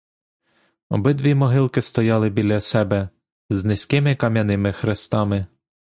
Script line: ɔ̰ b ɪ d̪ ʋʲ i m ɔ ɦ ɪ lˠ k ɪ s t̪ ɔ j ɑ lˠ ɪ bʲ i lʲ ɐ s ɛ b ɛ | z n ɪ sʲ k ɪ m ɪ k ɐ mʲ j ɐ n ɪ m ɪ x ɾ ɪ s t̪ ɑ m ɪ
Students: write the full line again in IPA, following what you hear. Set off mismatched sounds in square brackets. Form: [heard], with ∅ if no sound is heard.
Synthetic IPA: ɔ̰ b ɪ d̪ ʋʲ i m ɔ ɦ ɪ lˠ k ɪ s t̪ ɔ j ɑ lˠ ɪ bʲ i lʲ ɐ s ɛ b ɛ | z n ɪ sʲ k ɪ m ɪ k ɐ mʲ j ɐ n ɪ m ɪ x ɾ ɪ s t̪ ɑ m ɪ